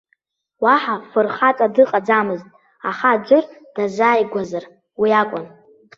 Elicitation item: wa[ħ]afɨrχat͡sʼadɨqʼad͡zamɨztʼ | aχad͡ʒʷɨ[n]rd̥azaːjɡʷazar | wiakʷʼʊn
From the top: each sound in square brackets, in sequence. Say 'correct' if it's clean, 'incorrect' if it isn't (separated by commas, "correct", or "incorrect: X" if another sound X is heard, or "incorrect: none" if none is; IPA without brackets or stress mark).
correct, incorrect: none